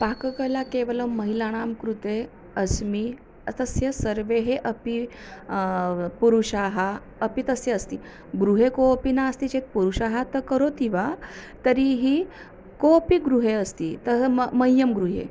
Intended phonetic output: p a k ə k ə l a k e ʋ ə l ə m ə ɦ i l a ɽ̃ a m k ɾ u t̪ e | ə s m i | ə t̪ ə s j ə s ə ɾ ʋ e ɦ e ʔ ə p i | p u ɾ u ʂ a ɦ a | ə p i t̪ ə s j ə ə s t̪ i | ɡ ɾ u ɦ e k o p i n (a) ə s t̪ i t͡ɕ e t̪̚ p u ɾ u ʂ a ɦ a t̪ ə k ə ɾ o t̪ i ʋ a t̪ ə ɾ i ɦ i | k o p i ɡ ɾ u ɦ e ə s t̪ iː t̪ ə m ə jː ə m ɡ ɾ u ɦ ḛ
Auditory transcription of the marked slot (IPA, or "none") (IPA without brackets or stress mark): a